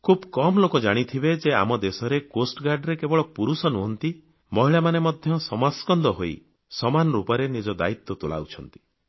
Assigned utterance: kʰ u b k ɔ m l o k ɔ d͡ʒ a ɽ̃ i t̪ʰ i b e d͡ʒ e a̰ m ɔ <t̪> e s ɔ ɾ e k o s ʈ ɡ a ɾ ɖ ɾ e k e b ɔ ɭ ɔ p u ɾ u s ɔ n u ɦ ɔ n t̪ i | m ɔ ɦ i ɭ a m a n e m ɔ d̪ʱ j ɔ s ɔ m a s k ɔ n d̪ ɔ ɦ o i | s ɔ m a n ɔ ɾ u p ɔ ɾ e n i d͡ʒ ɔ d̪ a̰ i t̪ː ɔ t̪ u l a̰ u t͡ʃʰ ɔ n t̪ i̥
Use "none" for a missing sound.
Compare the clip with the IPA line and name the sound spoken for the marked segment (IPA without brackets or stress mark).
d̪